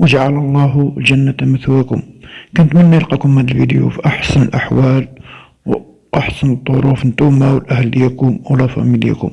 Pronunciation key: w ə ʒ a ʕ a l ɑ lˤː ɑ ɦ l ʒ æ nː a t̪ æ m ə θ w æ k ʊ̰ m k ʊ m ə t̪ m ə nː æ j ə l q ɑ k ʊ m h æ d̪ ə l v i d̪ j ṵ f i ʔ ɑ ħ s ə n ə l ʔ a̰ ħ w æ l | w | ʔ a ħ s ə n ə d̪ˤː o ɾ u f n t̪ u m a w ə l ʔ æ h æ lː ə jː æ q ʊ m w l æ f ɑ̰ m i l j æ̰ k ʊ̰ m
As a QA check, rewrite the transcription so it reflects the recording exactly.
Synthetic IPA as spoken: w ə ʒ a ʕ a l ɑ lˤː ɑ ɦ l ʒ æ nː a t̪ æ m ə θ w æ k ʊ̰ m k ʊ n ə t̪ m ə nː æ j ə l q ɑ k ʊ m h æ d̪ ə l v i d̪ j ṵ f i ʔ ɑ ħ s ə n ə l ʔ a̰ ħ w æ l | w | ʔ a ħ s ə n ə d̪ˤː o ɾ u f n t̪ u m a w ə l ʔ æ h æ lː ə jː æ k ʊ m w l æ f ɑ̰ m i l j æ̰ k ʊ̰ m